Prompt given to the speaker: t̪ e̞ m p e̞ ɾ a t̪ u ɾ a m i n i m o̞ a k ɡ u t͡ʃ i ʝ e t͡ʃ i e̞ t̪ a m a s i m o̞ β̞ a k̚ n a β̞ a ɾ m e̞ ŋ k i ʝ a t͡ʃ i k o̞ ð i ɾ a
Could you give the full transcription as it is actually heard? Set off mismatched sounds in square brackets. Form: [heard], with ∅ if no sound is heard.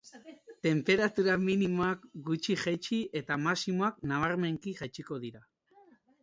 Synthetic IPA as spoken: t̪ e̞ m p e̞ ɾ a t̪ u ɾ a m i n i m o̞ a k ɡ u t͡ʃ i ʝ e t͡ʃ i e̞ t̪ a m a s i m o̞ [∅] a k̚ n a β̞ a ɾ m e̞ ŋ k i ʝ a t͡ʃ i k o̞ ð i ɾ a